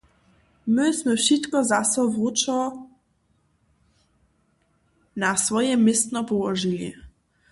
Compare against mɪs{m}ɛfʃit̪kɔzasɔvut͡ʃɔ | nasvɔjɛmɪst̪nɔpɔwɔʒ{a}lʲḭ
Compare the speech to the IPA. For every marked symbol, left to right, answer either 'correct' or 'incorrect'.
correct, incorrect: i

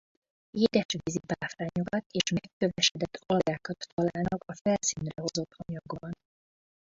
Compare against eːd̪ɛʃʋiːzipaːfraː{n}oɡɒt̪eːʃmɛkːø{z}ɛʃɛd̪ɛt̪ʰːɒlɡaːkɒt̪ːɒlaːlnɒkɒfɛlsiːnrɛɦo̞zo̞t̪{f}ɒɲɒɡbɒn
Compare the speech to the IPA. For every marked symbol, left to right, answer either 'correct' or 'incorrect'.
incorrect: ɲ, incorrect: v, incorrect: h

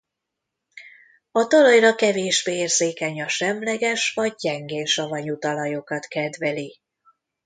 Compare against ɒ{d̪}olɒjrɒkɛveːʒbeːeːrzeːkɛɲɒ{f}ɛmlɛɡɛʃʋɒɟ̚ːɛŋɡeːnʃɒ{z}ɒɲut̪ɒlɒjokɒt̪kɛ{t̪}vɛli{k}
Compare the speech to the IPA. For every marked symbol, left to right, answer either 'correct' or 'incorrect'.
incorrect: t̪, incorrect: ʃ, incorrect: v, incorrect: d̪, incorrect: none

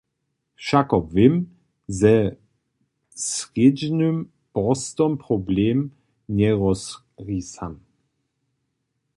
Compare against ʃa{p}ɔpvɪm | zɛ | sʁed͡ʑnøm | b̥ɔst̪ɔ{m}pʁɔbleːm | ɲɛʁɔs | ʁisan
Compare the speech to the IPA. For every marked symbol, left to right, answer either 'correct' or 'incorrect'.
incorrect: k, correct

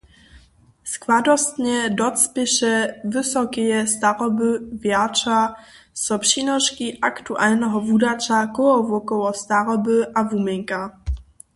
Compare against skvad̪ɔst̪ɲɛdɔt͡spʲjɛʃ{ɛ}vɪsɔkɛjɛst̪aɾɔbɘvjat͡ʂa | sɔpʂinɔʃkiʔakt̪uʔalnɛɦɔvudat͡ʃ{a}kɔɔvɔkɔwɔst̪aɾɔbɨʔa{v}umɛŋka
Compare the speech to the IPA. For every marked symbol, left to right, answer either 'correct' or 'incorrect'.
correct, correct, correct

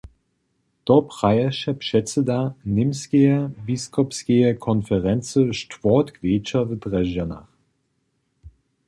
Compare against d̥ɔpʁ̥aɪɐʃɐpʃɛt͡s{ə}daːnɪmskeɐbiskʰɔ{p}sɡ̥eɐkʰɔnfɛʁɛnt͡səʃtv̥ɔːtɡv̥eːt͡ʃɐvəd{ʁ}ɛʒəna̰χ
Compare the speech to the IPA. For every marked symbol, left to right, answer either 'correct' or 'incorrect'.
correct, correct, correct

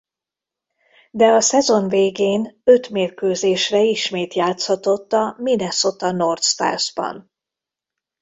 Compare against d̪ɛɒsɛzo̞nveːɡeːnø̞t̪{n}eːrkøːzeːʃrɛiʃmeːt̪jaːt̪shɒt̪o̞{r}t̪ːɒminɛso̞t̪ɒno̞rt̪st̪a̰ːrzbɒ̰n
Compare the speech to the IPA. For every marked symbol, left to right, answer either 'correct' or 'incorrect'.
incorrect: m, incorrect: none

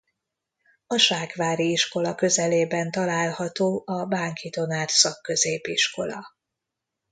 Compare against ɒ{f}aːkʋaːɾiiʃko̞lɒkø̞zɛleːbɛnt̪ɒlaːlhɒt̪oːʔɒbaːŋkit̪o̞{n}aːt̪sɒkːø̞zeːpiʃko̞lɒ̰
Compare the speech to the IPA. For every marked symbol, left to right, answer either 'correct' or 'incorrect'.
incorrect: ʃ, correct

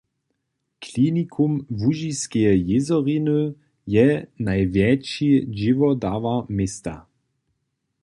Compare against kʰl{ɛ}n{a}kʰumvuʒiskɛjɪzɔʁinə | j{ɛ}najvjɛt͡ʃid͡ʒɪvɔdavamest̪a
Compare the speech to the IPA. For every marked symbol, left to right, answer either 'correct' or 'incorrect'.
incorrect: i, incorrect: i, correct

